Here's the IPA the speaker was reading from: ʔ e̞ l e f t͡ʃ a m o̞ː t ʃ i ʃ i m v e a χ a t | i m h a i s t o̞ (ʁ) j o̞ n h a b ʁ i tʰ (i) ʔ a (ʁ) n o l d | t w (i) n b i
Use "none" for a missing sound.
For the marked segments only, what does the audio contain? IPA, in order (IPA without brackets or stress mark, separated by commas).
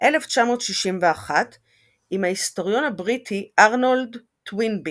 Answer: ʁ, i, ʁ, i